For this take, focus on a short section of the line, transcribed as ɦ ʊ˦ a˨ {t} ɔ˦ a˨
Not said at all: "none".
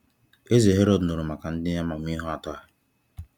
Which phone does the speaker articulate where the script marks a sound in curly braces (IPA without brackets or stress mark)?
t